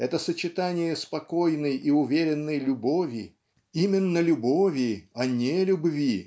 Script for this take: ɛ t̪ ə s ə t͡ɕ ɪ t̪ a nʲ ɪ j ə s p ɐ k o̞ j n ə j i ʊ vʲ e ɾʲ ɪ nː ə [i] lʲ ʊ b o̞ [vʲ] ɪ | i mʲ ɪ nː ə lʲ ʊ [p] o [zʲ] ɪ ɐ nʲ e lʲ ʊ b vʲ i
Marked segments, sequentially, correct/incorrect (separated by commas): incorrect, correct, incorrect, incorrect